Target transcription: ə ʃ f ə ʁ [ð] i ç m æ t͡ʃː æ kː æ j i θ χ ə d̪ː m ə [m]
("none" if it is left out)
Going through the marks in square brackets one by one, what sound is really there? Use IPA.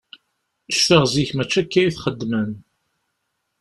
z, n

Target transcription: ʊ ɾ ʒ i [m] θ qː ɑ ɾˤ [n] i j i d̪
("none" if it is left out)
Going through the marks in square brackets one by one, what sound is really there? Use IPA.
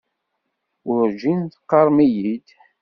n, m

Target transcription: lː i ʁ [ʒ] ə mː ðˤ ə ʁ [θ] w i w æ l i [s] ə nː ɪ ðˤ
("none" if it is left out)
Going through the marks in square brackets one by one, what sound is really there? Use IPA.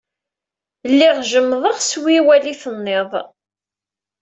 ʒ, s, θ

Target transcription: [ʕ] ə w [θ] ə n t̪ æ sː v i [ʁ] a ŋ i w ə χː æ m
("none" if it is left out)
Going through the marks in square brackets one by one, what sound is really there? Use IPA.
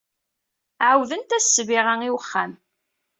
ʕ, ð, ʁ

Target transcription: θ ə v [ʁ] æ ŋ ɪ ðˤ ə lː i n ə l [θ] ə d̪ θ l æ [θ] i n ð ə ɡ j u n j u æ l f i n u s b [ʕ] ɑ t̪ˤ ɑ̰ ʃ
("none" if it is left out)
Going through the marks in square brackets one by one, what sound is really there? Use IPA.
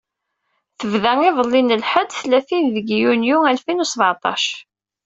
ð, ħ, θ, ʕ

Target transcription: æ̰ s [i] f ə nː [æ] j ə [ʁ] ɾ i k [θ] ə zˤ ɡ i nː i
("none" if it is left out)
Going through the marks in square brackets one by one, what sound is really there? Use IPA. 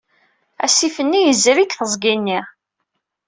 i, i, z, θ

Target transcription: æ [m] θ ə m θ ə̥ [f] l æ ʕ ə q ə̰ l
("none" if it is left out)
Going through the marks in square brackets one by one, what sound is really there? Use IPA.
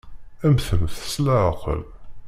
m, s

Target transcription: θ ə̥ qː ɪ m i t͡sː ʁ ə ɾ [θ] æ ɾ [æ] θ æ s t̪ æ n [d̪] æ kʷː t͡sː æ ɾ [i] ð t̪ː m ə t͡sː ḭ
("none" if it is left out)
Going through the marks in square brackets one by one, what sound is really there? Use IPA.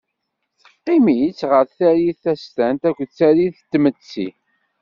θ, i, t̪, i

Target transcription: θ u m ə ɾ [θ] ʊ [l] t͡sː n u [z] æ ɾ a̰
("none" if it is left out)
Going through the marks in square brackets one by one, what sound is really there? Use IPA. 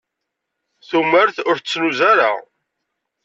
θ, ɾ, z

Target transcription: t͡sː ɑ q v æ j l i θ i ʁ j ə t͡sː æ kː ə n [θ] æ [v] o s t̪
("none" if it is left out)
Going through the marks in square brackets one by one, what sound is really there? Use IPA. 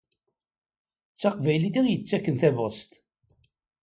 θ, v

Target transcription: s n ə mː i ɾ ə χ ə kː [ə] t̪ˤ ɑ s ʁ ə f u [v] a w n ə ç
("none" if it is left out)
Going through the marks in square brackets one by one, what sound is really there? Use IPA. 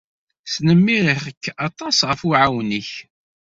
ɑ, ʕ

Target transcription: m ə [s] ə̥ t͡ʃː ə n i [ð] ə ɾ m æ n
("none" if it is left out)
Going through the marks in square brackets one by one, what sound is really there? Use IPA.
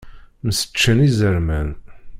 s, z

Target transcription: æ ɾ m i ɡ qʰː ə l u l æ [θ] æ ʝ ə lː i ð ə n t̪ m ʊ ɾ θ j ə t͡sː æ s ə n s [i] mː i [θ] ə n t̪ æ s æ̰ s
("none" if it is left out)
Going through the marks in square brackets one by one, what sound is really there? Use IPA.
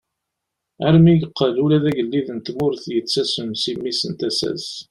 ð, i, s

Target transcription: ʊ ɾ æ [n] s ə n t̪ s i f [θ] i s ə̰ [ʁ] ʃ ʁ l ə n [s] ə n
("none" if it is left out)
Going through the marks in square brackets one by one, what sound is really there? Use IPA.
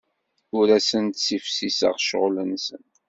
none, s, ʁ, s

